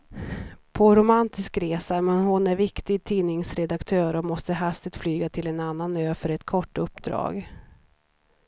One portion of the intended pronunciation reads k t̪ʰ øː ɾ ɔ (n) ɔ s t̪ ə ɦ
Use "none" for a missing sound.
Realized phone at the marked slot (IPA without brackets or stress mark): m